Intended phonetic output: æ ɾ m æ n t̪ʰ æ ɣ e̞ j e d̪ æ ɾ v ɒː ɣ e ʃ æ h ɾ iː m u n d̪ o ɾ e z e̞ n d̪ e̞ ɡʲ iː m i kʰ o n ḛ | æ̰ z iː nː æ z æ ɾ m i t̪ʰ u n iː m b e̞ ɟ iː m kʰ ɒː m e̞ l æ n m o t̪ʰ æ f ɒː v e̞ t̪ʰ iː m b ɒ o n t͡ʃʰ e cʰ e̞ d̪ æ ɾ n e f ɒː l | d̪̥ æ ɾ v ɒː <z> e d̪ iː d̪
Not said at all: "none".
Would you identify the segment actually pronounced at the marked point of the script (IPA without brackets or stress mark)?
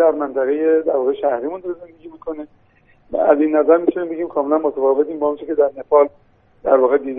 ɣ